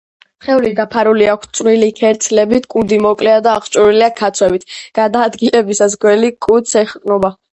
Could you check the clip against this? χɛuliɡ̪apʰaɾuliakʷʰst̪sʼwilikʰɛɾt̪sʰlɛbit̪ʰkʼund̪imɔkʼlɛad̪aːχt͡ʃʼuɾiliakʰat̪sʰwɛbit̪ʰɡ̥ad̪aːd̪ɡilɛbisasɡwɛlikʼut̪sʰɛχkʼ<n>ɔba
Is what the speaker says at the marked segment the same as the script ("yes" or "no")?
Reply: yes